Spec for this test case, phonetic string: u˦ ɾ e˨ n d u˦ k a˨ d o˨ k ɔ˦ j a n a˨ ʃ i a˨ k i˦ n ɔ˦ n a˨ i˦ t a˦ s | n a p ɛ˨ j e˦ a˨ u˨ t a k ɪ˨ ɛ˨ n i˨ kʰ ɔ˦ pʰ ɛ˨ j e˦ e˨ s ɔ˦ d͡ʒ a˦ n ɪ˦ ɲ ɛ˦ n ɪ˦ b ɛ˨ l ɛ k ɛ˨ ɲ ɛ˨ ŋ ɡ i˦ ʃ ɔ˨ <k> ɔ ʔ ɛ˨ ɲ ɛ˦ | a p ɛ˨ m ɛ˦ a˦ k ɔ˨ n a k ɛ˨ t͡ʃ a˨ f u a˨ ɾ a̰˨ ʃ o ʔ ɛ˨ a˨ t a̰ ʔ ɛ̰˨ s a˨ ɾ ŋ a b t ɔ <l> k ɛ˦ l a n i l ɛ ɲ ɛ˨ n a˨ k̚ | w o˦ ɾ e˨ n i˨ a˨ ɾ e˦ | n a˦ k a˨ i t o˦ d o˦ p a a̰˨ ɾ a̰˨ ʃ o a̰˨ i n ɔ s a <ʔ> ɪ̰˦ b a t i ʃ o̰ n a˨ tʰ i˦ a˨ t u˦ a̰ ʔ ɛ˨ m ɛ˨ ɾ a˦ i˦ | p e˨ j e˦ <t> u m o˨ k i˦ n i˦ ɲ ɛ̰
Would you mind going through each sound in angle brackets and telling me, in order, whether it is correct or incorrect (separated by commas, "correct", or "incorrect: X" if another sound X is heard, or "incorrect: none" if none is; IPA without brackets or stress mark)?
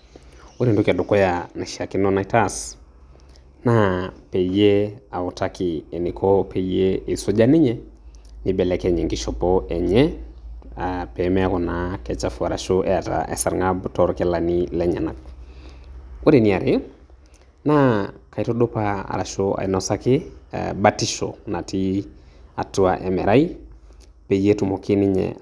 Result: incorrect: p, incorrect: ɾ, incorrect: k, correct